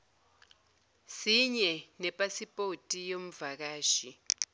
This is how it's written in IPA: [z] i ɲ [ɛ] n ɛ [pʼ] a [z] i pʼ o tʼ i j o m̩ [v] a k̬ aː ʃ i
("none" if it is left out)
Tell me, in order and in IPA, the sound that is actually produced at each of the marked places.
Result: s, ɛ, pʼ, s, v

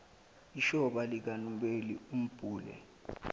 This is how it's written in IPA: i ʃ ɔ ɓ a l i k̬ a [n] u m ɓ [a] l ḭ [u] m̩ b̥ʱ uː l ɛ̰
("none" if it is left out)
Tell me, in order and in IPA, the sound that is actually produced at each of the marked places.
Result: n, e, u

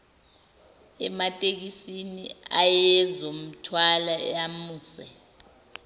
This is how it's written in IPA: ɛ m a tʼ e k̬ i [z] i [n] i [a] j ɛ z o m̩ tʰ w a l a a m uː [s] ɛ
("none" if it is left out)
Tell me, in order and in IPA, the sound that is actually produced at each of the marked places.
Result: s, n, a, s

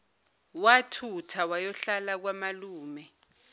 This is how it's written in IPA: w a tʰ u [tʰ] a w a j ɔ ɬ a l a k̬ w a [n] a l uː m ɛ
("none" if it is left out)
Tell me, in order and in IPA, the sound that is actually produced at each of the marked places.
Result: tʰ, m

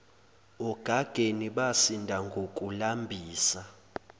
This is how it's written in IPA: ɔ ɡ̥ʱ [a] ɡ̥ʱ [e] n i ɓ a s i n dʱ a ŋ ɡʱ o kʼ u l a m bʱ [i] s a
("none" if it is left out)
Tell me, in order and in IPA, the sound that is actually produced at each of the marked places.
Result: a, e, iː

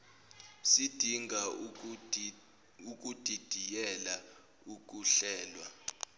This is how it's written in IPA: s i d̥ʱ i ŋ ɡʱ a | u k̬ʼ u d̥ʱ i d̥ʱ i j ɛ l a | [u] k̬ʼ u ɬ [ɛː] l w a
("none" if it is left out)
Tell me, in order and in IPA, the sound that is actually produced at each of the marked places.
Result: u, ɛː

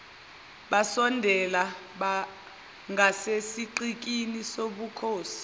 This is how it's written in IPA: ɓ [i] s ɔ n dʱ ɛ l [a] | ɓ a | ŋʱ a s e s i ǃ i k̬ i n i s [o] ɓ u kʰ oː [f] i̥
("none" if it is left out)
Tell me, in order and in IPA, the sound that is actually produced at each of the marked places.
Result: a, a, o, s

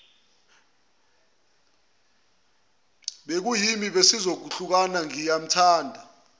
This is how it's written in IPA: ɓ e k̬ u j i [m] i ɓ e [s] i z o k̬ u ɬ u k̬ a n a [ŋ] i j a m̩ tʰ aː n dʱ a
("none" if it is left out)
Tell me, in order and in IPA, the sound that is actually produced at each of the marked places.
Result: m, s, ŋ

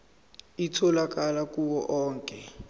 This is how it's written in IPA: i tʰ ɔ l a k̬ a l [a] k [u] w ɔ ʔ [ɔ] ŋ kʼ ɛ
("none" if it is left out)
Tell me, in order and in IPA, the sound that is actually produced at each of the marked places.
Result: a, u, ɔː

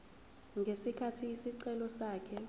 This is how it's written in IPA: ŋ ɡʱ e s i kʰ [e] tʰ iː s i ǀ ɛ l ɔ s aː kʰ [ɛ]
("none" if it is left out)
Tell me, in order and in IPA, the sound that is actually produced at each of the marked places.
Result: a, ɛ

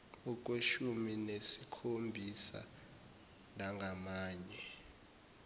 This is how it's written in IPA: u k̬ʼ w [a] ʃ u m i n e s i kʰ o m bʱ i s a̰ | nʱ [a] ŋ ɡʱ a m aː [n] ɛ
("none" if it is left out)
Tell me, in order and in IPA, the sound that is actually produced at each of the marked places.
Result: e, a, ɲ

